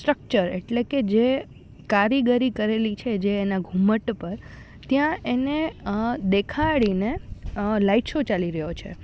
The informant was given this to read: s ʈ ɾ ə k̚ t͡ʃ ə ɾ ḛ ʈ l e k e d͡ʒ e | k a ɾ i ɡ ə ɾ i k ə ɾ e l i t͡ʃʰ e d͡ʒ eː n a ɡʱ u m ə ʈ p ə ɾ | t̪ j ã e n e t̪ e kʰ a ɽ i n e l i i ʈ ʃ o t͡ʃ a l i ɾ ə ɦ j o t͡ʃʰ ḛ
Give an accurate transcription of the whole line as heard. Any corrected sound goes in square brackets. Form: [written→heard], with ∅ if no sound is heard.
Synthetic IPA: s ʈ ɾ ə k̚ t͡ʃ ə ɾ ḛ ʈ l e k e d͡ʒ e | k a ɾ i ɡ ə ɾ i k ə ɾ e l i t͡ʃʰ e d͡ʒ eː n a ɡʱ u m ə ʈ p ə ɾ | t̪ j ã e n e [t̪→d̪] e kʰ a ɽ i n e l [i→a] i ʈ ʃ o t͡ʃ a l i ɾ ə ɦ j o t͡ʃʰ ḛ